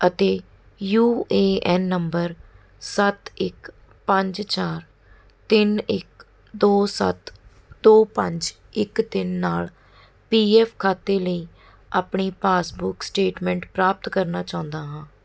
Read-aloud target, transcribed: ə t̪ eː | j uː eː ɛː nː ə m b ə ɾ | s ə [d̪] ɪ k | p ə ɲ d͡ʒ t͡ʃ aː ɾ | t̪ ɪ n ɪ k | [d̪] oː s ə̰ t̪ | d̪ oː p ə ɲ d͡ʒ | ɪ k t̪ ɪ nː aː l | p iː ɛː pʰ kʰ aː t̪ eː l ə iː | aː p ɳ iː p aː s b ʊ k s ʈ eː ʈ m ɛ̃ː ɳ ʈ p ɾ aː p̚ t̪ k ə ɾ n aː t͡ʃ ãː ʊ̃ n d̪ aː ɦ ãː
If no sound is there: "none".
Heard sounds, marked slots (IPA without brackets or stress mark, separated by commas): t̪, d̪